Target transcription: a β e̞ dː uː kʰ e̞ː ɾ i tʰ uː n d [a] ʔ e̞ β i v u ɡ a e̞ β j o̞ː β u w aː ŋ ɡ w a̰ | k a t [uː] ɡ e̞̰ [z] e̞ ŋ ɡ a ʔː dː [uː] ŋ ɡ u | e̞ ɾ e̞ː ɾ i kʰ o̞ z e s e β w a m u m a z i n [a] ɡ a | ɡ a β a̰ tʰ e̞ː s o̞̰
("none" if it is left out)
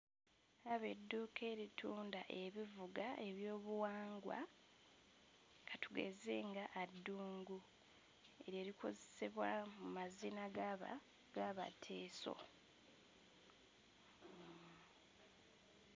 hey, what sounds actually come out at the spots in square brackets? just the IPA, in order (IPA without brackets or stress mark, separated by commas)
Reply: a, u, z, uː, a